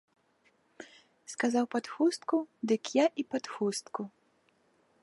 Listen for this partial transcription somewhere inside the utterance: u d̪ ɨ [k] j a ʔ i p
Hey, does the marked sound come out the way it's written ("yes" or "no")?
yes